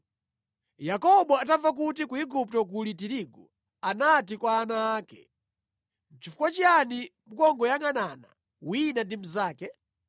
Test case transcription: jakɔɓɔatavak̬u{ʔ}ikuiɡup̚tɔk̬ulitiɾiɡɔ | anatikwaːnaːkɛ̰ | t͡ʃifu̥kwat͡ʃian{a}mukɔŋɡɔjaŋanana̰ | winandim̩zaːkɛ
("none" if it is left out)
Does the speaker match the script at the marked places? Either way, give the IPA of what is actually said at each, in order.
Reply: t, i

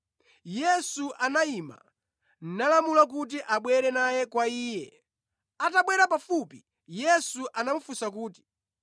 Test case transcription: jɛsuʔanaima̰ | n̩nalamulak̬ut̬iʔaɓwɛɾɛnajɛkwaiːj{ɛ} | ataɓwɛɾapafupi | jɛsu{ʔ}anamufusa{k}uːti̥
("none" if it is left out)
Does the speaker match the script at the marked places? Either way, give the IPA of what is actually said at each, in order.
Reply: ɛ, ʔ, k

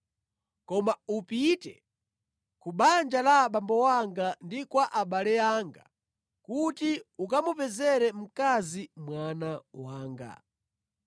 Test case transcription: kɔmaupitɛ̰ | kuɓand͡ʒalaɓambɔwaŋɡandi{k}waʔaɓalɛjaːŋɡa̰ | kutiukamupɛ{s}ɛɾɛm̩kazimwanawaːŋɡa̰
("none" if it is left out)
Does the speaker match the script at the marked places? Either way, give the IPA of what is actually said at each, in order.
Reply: k, z

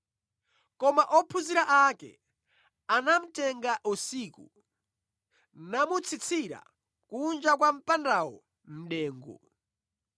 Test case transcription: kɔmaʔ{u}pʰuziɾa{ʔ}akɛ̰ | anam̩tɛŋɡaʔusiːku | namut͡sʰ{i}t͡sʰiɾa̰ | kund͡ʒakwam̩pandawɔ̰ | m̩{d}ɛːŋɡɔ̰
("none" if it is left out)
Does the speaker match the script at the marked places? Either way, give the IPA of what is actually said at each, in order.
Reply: ɔ, ʔ, i, ɗ

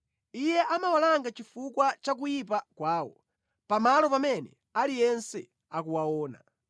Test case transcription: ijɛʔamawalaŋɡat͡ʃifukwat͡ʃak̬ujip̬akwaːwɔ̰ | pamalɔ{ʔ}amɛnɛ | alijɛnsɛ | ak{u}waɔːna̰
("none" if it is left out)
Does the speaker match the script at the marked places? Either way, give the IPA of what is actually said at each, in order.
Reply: p, u

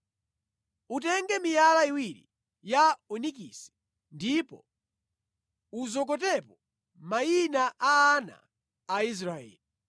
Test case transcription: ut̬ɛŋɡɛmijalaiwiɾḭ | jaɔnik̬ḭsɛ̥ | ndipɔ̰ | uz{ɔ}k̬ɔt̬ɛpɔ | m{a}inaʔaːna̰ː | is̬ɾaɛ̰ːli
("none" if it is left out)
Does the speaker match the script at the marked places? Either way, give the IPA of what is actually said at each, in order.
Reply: ɔ, a

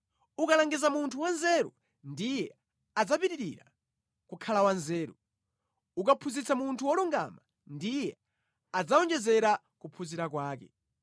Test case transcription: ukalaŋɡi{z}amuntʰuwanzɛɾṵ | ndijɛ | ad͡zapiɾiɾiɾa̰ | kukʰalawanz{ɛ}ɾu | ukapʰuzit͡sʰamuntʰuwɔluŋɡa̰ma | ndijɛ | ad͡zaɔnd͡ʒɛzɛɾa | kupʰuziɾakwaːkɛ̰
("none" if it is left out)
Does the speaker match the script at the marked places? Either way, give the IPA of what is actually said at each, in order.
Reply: z, ɛː

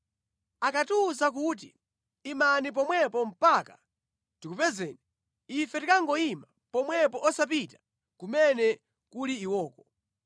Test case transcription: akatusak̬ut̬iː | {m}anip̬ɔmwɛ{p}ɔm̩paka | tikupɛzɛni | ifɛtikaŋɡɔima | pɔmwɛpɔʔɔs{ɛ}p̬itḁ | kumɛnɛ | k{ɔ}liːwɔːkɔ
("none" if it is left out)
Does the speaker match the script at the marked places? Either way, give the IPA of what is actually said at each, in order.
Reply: m, p, a, u

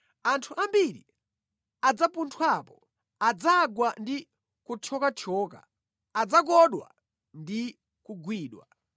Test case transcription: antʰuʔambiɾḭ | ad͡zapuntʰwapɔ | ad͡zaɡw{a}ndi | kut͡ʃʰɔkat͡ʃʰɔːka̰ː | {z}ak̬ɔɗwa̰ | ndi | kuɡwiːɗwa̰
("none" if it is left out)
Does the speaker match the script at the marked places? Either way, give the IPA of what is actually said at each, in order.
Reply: a, d͡z

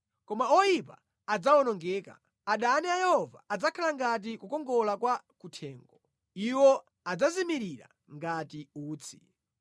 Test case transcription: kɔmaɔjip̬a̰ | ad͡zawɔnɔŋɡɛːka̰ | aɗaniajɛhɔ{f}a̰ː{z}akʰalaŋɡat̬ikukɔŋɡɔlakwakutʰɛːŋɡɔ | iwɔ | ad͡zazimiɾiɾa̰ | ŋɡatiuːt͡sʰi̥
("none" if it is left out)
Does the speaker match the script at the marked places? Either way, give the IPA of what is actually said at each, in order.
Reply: v, d͡z

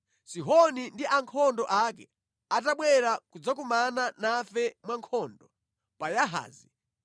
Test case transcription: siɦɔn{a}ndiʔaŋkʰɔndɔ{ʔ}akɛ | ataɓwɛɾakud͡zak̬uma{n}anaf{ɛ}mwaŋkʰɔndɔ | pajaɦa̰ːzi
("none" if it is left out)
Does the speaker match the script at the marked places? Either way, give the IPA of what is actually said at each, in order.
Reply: i, ʔ, n, ɛ

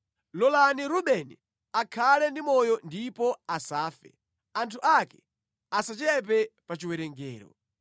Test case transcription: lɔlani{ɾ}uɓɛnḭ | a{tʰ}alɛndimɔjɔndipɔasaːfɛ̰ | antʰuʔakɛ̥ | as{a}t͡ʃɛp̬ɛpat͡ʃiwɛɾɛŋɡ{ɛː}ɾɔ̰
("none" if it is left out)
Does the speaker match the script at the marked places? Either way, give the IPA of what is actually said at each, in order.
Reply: ɾ, kʰ, a, ɛː

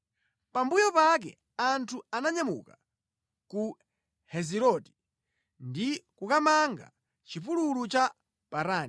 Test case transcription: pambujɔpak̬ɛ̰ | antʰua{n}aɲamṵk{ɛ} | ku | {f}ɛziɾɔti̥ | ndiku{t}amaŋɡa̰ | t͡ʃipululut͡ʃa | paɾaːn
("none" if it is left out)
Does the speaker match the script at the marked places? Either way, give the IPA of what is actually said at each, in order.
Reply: n, a, h, k

